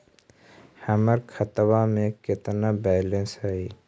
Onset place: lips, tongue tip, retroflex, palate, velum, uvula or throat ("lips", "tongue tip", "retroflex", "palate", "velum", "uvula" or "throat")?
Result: throat